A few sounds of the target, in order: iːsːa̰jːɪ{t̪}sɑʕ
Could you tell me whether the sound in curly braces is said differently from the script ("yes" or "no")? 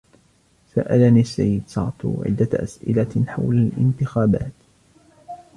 yes